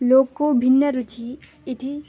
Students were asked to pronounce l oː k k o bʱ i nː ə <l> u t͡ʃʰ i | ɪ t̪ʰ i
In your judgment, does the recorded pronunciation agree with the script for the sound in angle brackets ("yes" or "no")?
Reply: no